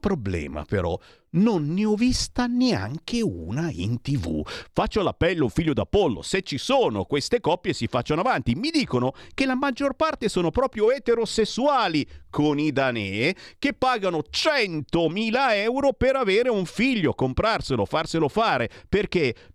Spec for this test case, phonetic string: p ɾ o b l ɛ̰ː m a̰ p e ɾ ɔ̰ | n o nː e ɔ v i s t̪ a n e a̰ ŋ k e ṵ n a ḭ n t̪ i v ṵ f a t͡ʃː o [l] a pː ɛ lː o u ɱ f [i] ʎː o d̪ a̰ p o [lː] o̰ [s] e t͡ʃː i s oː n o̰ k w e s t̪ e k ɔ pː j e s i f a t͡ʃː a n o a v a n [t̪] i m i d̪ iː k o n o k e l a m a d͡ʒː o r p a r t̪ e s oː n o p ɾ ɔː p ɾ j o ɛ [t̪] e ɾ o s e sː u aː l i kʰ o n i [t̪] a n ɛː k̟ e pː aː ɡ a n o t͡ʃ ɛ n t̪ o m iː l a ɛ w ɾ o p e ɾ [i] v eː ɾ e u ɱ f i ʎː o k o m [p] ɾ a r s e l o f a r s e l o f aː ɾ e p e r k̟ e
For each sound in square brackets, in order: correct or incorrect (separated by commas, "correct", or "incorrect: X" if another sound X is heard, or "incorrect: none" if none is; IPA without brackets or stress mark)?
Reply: correct, correct, correct, correct, correct, correct, incorrect: d̪, incorrect: a, correct